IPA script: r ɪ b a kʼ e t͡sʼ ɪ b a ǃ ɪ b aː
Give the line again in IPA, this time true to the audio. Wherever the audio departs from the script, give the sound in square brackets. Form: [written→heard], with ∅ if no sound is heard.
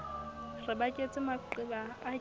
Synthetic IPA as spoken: r ɪ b a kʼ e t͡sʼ ɪ [b→m] a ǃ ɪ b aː